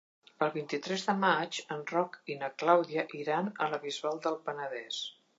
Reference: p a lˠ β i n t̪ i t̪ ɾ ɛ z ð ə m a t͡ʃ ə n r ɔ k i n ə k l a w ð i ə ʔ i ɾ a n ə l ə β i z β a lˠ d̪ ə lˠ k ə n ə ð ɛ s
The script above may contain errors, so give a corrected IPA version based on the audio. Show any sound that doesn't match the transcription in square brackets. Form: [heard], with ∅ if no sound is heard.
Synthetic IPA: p [ə] lˠ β i n t̪ i t̪ ɾ ɛ z ð ə m a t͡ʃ ə n r ɔ k i n ə k l a w ð i ə ʔ i ɾ a n ə l ə β i z β a lˠ d̪ ə lˠ [p] ə n ə ð ɛ s